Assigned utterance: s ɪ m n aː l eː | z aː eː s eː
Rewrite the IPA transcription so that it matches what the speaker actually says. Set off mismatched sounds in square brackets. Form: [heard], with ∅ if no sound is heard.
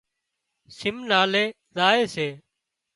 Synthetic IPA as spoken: s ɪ m n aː l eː | z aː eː s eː